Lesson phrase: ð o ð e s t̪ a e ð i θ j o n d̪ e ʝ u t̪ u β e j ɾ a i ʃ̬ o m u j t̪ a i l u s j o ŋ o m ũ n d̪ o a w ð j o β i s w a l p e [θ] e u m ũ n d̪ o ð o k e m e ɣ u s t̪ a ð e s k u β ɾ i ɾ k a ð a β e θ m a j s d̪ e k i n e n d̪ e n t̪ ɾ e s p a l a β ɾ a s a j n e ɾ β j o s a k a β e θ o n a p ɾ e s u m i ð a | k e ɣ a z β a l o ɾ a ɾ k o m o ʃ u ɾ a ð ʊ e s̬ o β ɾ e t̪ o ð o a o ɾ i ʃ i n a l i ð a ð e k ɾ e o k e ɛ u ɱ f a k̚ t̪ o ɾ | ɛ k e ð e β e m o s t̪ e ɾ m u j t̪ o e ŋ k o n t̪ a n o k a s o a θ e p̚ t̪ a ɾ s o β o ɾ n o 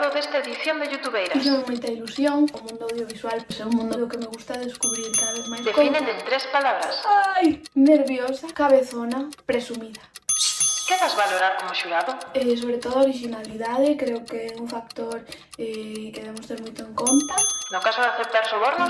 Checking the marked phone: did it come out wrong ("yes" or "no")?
yes